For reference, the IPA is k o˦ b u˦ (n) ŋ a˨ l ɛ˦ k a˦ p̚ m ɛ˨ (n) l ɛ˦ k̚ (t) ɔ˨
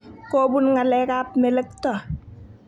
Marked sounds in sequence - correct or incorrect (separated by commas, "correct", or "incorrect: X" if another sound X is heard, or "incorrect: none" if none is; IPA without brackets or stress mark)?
correct, incorrect: none, correct